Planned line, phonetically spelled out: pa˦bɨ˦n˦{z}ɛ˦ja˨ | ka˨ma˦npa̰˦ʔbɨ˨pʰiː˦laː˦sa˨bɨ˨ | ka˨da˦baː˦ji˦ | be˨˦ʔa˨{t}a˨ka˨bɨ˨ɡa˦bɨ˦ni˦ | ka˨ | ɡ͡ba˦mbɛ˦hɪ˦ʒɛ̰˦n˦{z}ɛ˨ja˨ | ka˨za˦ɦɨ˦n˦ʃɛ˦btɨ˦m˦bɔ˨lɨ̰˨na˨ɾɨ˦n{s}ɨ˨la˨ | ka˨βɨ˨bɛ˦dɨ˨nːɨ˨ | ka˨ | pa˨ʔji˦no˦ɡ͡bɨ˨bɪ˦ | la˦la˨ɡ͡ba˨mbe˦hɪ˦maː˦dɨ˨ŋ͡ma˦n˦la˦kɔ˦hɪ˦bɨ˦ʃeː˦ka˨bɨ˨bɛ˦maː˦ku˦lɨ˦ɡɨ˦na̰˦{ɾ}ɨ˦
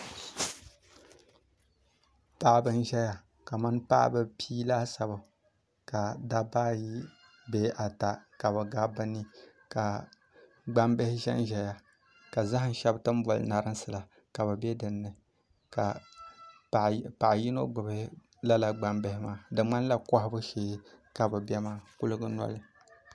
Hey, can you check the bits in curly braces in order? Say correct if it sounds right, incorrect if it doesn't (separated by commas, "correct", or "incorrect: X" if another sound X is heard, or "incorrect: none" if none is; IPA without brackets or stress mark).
incorrect: ʒ, correct, incorrect: ʒ, correct, incorrect: l